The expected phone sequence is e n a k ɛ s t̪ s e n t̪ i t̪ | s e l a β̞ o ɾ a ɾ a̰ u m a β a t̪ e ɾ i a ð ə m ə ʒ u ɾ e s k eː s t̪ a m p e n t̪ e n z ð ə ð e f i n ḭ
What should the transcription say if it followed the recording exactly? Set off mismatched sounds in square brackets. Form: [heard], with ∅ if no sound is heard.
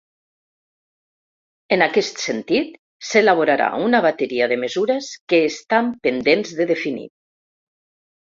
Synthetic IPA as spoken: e n a k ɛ s t̪ s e n t̪ i t̪ | s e l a β̞ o ɾ a ɾ a̰ u [n] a β a t̪ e ɾ i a ð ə m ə [z] u ɾ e s k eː s t̪ a m p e n [d̪] e n z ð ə ð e f i n ḭ